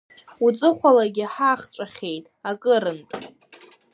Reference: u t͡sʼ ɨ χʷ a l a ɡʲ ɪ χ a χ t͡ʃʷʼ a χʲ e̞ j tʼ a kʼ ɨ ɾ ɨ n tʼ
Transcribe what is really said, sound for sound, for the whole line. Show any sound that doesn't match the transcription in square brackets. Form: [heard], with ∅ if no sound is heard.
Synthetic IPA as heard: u t͡sʼ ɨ χʷ a l a ɡʲ ɪ [ħ] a χ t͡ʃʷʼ a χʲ e̞ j tʼ a kʼ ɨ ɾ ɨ n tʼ

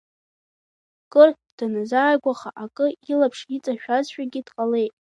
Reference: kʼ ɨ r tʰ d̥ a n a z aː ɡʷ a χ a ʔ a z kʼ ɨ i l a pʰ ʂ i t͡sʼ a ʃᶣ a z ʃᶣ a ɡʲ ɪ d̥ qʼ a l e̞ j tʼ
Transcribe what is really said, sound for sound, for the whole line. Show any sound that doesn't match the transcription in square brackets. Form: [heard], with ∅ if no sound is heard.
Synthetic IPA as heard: kʼ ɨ r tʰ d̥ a n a z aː ɡʷ a χ a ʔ a [∅] kʼ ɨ i l a pʰ ʂ i t͡sʼ a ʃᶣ a z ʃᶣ a ɡʲ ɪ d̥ qʼ a l e̞ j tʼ

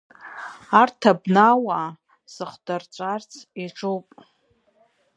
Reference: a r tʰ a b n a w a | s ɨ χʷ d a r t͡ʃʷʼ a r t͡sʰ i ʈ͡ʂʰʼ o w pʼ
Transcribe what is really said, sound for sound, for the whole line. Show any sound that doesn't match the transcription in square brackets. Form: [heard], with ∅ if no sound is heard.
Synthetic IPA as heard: a r tʰ a b n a w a | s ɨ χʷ d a r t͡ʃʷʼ a r t͡sʰ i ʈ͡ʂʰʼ o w pʼ

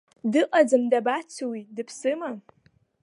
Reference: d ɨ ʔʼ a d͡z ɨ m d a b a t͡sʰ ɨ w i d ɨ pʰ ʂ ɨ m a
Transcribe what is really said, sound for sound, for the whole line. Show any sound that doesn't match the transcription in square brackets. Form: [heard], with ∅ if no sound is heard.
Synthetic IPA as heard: d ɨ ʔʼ a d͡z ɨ m d a b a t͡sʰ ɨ w i d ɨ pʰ [s] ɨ m a

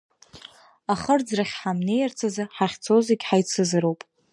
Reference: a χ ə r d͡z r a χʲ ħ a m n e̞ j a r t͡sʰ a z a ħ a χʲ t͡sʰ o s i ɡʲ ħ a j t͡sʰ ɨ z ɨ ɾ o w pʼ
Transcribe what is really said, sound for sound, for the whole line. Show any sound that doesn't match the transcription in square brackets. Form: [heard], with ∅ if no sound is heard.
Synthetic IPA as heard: a χ ə r d͡z r a χʲ ħ a m n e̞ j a r t͡sʰ a z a ħ a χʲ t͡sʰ o [z] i ɡʲ ħ a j t͡sʰ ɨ z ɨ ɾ o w pʼ

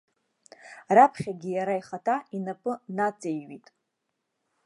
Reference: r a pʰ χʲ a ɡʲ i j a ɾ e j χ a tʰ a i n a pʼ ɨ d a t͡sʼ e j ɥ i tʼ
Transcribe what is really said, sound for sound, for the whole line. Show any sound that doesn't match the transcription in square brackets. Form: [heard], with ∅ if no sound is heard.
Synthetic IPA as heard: r a pʰ χʲ a ɡʲ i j a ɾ [a] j χ a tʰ a i n a pʼ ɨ [n] a t͡sʼ e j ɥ i tʼ

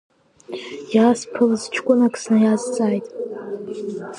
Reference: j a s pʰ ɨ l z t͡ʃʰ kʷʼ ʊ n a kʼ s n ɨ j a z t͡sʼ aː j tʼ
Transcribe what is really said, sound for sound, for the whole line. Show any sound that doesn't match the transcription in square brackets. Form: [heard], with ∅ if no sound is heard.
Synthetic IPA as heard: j a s pʰ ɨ l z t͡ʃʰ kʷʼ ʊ n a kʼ s n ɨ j a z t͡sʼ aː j tʼ

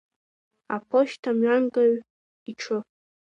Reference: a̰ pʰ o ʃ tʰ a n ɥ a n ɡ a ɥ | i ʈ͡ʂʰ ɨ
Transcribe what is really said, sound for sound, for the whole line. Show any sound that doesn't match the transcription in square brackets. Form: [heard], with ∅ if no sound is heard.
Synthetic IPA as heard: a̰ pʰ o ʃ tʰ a [m] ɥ a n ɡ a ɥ | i ʈ͡ʂʰ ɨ

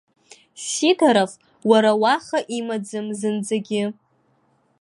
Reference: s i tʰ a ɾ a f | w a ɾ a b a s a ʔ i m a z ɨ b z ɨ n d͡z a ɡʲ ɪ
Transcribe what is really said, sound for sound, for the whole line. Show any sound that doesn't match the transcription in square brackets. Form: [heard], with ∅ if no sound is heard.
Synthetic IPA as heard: s i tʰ a ɾ a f | w a ɾ a [w] a [χ] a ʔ i m a [d͡z] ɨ [m] z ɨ n d͡z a ɡʲ ɪ

